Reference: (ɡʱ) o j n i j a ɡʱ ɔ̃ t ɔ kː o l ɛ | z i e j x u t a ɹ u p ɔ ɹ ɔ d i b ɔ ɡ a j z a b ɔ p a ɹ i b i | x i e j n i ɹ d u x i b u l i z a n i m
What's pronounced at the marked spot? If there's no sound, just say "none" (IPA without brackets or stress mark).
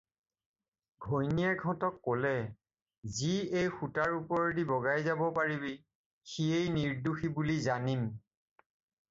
ɡʱ